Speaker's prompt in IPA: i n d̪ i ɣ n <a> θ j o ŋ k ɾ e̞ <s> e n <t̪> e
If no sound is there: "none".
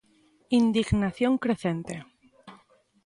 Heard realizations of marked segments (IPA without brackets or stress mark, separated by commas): a, θ, t̪